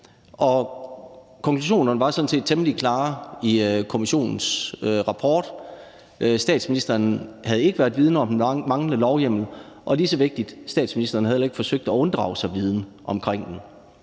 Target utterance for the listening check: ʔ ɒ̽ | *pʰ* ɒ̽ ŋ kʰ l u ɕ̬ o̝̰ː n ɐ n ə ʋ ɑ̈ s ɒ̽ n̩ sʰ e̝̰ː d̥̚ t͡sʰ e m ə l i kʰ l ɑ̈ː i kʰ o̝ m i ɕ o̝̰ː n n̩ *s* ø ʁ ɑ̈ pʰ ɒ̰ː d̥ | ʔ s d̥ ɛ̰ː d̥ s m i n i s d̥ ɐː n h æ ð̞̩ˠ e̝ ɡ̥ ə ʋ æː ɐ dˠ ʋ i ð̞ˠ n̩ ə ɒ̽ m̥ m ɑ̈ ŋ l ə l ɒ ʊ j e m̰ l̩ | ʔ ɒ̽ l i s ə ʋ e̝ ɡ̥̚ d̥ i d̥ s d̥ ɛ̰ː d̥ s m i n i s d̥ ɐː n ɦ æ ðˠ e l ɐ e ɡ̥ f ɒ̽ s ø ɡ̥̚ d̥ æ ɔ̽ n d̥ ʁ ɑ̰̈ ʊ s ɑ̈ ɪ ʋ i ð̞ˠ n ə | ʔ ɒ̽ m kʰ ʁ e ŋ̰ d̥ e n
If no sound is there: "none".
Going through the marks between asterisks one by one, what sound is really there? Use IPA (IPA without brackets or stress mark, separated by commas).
kʰ, s